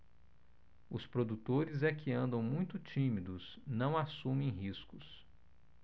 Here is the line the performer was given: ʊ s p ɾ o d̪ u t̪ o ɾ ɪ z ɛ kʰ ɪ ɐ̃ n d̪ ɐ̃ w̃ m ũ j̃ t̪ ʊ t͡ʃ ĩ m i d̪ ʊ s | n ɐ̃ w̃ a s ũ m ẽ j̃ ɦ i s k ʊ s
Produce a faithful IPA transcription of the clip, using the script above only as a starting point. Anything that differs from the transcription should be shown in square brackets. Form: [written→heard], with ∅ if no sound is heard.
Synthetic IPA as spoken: ʊ s p ɾ o d̪ u t̪ o ɾ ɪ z ɛ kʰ ɪ ɐ̃ n d̪ ɐ̃ w̃ m ũ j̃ t̪ ʊ t͡ʃ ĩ m i d̪ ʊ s | n ɐ̃ w̃ a s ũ m ẽ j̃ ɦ i s k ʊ s